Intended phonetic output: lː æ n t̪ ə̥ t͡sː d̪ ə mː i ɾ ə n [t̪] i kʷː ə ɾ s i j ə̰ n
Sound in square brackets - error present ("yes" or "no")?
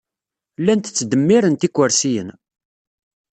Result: no